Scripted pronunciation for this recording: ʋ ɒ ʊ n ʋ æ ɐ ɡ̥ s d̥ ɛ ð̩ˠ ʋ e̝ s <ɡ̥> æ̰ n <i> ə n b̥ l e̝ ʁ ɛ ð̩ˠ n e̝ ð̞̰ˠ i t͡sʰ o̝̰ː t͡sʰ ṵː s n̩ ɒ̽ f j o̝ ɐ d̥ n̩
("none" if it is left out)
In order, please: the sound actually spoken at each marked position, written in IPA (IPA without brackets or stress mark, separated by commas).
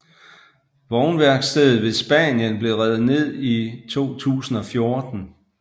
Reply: b̥, j